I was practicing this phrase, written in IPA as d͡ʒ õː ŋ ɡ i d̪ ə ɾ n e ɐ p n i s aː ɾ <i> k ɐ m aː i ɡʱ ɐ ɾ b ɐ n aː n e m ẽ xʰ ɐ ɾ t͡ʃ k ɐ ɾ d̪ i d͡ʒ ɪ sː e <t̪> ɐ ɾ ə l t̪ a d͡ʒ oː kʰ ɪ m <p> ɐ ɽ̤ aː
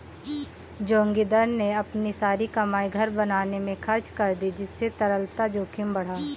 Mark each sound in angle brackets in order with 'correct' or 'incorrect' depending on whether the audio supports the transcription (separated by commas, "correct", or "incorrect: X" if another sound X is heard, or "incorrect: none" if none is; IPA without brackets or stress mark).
correct, correct, incorrect: b